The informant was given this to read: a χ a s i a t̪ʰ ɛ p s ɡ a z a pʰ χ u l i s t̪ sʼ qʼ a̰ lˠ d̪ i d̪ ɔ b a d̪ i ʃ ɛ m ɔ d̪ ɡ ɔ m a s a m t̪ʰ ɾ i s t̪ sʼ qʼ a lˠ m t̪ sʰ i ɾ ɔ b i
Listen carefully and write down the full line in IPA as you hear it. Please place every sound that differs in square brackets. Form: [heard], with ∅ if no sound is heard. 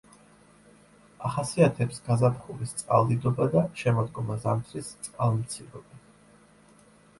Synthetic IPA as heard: a χ a s i a t̪ʰ ɛ p s ɡ a z a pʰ χ u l i s t̪ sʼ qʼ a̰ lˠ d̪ i d̪ ɔ b a d̪ [a] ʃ ɛ m ɔ d̪ ɡ ɔ m a [z] a m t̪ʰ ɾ i s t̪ sʼ qʼ a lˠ m t̪ sʰ i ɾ ɔ b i